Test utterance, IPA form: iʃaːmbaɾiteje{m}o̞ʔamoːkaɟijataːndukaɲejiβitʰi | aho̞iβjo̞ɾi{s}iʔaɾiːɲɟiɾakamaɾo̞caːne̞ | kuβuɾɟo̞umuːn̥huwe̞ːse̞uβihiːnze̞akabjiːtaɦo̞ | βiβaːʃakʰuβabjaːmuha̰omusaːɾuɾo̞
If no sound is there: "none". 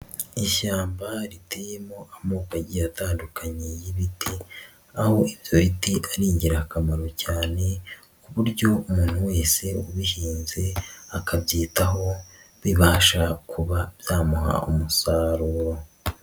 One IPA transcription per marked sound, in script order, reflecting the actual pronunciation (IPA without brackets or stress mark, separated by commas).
m, t